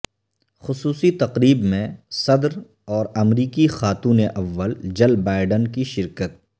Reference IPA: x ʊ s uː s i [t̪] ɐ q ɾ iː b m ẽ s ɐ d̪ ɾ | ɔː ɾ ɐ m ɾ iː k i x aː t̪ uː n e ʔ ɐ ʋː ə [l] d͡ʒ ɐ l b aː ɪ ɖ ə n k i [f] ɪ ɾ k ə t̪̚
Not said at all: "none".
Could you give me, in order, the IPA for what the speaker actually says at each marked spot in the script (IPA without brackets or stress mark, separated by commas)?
t̪, l, ʃ